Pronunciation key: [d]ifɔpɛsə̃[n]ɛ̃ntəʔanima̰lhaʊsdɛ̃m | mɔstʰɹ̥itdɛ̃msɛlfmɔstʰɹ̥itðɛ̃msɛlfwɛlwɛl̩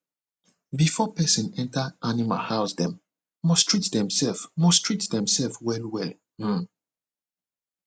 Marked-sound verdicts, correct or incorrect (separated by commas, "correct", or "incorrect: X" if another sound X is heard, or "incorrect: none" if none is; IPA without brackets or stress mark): incorrect: b, correct